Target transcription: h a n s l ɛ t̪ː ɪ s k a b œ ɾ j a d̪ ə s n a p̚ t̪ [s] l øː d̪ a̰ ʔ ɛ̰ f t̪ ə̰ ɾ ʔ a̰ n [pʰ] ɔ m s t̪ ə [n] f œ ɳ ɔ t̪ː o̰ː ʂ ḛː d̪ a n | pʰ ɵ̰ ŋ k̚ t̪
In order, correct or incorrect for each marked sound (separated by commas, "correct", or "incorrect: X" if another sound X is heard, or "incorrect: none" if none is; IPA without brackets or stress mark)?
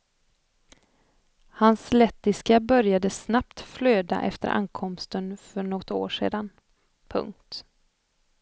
incorrect: f, incorrect: kʰ, correct